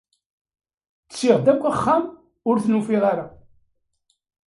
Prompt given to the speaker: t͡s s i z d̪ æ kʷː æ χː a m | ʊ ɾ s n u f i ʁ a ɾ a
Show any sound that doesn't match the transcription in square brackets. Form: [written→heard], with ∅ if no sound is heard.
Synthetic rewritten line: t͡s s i [z→ʁ] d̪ æ kʷː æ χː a m | ʊ ɾ [s→θ] n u f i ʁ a ɾ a